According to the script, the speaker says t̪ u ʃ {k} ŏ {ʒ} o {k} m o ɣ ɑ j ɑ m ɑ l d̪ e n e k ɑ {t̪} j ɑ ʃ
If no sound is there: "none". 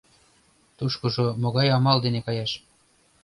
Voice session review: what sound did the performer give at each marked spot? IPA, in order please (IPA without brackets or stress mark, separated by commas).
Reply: k, ʒ, none, none